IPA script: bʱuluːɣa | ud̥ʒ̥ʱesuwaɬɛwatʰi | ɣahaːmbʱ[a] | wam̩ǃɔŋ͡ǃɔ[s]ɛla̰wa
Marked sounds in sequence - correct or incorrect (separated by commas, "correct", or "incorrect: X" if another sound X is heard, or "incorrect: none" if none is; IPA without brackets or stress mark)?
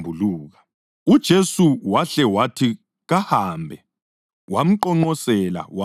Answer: incorrect: ɛ, correct